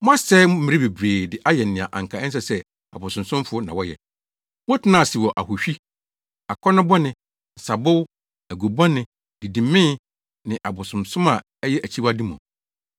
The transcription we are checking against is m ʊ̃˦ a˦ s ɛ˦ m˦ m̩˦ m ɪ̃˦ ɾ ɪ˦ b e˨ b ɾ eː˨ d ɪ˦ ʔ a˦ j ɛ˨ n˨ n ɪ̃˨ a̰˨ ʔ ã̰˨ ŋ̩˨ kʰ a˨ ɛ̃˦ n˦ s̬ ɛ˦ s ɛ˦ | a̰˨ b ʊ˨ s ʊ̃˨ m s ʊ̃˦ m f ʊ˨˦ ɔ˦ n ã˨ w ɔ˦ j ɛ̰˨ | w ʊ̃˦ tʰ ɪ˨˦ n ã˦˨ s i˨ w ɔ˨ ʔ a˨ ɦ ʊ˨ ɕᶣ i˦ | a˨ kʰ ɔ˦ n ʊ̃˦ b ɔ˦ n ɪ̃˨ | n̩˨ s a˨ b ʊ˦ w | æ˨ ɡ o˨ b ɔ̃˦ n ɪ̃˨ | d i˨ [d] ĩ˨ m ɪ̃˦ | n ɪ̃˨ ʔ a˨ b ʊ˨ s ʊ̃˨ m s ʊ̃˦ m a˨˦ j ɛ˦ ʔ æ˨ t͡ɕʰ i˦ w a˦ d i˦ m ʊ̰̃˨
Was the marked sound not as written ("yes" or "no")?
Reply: no